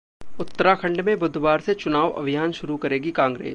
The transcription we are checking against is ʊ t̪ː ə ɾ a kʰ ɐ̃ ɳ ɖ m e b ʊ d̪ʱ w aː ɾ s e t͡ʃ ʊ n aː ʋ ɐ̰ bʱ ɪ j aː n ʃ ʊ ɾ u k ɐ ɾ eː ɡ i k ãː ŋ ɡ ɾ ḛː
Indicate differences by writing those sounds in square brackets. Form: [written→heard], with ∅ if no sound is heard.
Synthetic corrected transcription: ʊ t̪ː ə ɾ a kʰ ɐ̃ ɳ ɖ m [e→ẽ] b ʊ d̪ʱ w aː ɾ s e t͡ʃ ʊ n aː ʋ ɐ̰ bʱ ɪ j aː n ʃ ʊ ɾ u k ɐ ɾ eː ɡ i k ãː ŋ ɡ ɾ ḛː